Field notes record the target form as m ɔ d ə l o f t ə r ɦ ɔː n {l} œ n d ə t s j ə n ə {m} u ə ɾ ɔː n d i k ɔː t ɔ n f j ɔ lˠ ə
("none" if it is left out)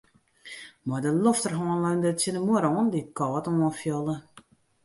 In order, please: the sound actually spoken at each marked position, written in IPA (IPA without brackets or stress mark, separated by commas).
l, m